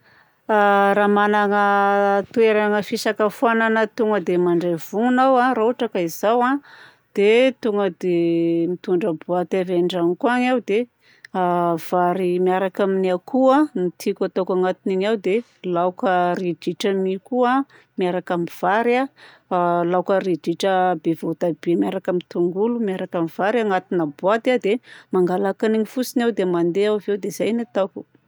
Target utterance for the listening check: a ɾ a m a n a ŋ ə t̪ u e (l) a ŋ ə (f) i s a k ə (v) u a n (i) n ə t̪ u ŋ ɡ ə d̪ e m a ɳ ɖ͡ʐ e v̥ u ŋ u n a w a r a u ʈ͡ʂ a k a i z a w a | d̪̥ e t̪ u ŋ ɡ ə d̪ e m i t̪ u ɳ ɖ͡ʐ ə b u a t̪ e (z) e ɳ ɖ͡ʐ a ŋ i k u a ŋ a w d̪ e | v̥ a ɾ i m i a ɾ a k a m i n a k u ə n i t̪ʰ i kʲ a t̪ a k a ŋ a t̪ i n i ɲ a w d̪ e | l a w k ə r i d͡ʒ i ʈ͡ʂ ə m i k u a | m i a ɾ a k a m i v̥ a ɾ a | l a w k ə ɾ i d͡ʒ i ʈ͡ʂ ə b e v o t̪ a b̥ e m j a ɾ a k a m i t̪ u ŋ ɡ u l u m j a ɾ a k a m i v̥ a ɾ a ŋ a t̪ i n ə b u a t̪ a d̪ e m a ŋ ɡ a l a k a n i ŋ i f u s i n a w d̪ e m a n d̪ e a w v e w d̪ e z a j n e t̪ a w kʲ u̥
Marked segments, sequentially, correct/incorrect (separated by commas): incorrect, correct, incorrect, incorrect, incorrect